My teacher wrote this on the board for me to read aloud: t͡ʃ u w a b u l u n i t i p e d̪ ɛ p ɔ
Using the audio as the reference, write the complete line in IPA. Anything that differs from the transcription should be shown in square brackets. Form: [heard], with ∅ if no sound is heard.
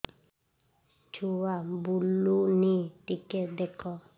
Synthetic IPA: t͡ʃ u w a b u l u n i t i [k] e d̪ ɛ [k] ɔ